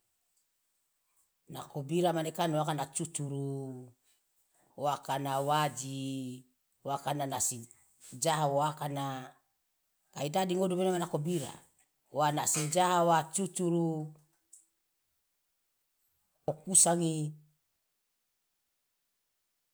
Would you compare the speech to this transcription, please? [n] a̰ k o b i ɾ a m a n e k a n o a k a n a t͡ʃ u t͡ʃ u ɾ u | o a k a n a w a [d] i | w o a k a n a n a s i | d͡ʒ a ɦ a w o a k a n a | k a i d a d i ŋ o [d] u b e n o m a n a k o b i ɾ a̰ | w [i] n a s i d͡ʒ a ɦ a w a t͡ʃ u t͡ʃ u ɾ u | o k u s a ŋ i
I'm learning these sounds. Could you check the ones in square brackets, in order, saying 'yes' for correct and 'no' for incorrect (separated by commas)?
yes, no, yes, no